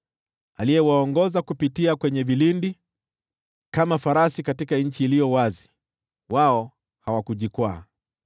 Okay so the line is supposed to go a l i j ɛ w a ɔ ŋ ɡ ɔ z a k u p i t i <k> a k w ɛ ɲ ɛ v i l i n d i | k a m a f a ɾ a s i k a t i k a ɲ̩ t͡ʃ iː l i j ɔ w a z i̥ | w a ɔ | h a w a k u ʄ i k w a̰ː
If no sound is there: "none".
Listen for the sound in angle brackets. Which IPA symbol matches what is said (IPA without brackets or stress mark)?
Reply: none